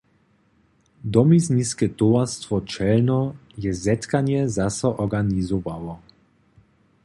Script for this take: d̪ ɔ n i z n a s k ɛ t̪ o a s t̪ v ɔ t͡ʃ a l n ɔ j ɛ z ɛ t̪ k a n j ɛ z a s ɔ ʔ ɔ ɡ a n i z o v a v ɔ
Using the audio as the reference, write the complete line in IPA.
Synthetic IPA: d̪ ɔ m i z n i s k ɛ t̪ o a s t̪ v ɔ t͡ʃ ɛ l n ɔ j ɛ z ɛ t̪ k a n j ɛ z a s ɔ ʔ ɔ ɡ a n i z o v a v ɔ

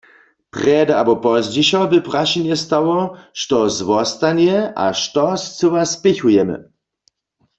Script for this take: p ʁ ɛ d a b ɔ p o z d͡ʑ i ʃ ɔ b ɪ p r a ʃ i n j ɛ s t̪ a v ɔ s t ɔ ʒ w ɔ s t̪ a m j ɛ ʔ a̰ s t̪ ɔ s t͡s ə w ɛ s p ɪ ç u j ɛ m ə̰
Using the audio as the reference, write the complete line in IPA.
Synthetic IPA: p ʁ ɛ d a b ɔ p ɔ z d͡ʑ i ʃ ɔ b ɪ p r a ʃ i n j ɛ s t̪ a w ɔ ʃ t ɔ z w ɔ s t̪ a n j ɛ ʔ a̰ ʃ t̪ ɔ s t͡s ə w a s p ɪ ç u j ɛ m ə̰

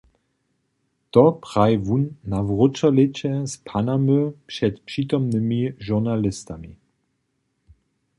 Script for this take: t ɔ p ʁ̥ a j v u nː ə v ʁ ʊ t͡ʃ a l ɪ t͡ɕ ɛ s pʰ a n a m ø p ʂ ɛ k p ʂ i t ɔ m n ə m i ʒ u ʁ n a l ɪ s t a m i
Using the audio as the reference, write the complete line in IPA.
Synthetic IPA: t ɔ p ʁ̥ a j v u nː a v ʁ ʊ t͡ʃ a l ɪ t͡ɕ ɛ s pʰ a n a m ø p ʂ ɛ t p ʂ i t ɔ m n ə m i ʒ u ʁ n a l ɪ s t a m i

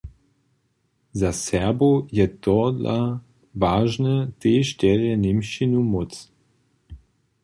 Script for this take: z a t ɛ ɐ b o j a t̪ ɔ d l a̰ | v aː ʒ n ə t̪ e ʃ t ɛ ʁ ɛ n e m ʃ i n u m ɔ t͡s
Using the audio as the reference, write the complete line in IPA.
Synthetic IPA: z a s ɛ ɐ b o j ɛ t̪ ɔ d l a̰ | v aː ʒ n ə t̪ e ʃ t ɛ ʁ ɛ n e m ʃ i n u m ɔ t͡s

